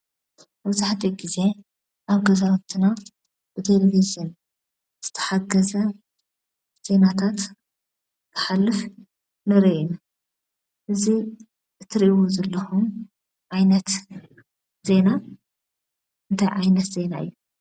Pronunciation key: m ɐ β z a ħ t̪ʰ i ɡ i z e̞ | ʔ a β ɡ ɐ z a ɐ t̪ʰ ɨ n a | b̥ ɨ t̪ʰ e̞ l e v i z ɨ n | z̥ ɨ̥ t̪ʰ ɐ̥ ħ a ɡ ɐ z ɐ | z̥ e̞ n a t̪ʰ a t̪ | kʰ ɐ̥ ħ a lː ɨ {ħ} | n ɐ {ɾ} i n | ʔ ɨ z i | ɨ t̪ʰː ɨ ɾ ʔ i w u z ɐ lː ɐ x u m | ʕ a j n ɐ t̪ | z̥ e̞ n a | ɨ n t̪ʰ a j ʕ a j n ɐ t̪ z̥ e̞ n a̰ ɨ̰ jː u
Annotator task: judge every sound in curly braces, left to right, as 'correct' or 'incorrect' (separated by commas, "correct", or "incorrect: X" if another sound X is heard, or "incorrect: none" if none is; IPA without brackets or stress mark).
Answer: incorrect: f, correct